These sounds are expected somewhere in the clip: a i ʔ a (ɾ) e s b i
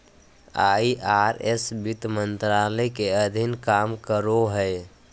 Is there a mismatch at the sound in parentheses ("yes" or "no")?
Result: no